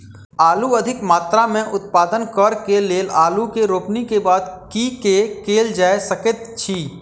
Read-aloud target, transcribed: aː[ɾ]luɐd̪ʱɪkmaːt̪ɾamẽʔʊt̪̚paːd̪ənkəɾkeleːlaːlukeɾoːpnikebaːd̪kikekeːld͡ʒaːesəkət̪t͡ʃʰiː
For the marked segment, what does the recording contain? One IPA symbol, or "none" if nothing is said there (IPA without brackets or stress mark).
none